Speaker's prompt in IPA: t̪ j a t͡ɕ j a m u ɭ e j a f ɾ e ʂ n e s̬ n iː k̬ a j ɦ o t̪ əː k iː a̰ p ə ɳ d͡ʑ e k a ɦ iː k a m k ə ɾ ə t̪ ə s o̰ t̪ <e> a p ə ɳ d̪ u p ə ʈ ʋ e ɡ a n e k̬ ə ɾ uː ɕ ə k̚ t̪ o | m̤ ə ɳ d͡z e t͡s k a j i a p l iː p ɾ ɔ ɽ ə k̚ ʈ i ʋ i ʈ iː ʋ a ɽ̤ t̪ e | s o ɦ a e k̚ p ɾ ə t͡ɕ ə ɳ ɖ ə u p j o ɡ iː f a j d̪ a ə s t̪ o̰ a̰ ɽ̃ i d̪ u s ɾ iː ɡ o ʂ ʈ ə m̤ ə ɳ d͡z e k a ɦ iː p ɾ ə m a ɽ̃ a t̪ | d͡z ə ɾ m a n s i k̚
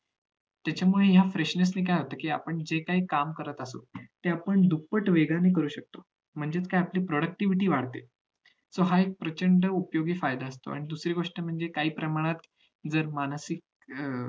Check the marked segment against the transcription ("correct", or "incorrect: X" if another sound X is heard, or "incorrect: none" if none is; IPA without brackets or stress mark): correct